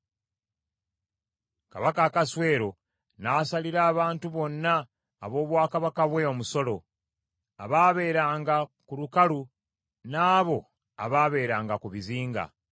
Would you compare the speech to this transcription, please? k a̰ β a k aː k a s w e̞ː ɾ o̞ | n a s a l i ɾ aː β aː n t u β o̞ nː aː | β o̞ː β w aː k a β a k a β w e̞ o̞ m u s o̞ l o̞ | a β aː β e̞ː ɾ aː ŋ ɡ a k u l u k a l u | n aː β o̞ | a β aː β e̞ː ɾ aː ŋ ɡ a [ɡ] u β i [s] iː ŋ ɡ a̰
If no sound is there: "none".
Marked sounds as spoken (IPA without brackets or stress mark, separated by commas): k, z